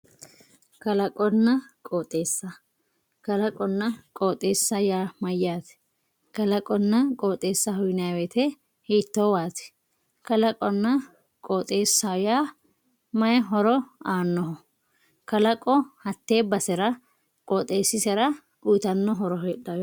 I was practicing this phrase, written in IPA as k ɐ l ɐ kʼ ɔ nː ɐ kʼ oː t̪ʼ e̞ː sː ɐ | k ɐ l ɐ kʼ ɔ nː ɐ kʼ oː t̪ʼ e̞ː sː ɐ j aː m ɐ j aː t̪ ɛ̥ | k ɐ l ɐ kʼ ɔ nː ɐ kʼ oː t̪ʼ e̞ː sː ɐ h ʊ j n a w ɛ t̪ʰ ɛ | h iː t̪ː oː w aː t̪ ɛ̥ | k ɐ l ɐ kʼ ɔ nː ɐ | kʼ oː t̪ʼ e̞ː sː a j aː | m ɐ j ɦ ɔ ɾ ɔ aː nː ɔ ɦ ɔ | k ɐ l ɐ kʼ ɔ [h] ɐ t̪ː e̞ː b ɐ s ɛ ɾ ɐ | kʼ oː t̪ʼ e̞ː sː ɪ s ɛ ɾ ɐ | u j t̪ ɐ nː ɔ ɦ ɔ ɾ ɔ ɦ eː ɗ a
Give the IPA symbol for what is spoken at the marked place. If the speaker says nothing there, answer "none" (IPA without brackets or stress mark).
h